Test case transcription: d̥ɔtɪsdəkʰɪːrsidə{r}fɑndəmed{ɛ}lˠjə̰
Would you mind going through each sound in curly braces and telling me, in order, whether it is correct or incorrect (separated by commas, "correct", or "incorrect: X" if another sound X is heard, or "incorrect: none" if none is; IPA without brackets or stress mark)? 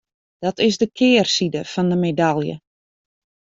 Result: incorrect: none, incorrect: a